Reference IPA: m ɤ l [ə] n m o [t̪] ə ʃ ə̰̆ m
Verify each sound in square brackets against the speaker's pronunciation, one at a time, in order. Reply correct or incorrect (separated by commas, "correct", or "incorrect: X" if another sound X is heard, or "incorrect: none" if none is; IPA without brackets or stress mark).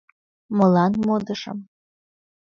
incorrect: ɑ, incorrect: d̪